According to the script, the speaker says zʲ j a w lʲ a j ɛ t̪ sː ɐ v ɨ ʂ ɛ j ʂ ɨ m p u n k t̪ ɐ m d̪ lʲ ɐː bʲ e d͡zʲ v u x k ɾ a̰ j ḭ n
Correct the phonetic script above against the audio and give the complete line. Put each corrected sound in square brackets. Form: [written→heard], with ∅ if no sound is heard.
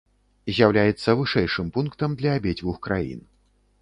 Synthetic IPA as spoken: zʲ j a w lʲ a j ɛ t̪ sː ɐ v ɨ ʂ ɛ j ʂ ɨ m p u n k t̪ ɐ m d̪ lʲ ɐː bʲ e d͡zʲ v u x k ɾ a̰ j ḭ n